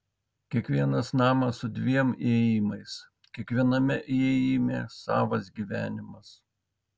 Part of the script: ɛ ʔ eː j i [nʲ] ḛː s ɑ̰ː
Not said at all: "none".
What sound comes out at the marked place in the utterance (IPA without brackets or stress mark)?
mʲ